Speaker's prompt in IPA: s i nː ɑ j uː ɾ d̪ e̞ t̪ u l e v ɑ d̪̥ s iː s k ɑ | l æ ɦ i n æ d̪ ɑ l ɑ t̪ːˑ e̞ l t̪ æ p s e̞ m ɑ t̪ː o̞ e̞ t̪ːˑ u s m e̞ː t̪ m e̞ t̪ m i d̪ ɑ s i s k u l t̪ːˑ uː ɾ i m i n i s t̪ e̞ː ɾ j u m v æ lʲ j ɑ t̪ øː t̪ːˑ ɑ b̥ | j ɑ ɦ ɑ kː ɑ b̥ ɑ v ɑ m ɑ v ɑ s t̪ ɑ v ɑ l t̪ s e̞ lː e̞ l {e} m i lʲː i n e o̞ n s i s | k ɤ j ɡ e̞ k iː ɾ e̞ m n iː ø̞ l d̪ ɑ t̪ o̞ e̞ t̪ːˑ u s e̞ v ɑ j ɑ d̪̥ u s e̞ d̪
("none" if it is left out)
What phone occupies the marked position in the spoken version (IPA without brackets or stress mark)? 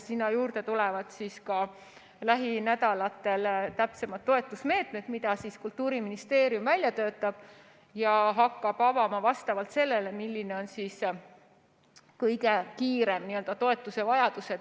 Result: e